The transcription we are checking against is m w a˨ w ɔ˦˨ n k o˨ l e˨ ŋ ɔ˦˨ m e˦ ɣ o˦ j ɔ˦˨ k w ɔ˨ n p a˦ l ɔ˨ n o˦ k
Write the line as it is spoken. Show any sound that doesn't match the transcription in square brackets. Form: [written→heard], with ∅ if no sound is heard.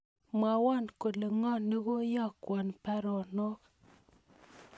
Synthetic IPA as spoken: m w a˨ w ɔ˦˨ n k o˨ l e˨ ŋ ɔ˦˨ [m→n] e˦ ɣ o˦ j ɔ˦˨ k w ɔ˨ n p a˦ [l→ɾ] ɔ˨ n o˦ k